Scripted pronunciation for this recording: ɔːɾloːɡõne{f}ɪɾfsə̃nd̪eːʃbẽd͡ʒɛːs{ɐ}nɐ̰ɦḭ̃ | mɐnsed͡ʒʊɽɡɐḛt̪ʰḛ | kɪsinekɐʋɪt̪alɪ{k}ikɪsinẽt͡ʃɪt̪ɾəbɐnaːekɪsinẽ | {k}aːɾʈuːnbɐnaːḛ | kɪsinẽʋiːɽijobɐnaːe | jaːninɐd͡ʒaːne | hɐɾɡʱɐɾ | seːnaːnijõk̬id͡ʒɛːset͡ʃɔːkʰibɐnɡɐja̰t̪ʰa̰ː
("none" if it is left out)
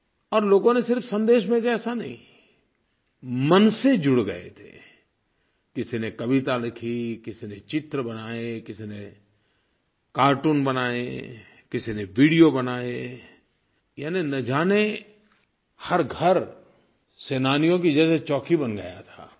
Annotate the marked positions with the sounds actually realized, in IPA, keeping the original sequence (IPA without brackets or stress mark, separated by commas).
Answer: s, a, kʰ, k